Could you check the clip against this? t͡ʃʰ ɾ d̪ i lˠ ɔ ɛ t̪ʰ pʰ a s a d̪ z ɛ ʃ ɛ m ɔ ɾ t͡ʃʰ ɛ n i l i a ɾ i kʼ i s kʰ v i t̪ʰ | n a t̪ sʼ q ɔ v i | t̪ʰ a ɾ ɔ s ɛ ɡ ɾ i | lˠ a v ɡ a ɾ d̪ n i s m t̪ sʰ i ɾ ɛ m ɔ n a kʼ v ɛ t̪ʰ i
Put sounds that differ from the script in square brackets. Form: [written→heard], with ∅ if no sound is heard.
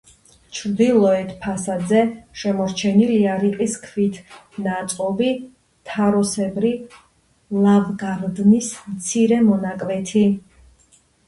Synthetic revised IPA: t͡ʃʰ ɾ d̪ i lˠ ɔ ɛ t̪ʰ pʰ a s a d̪ z ɛ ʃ ɛ m ɔ ɾ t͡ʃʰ ɛ n i l i a ɾ i [kʼ→qʼ] i s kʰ v i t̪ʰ | n a t̪ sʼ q ɔ v i | t̪ʰ a ɾ ɔ s ɛ [ɡ→b] ɾ i | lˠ a v ɡ a ɾ d̪ n i s m t̪ sʰ i ɾ ɛ m ɔ n a kʼ v ɛ t̪ʰ i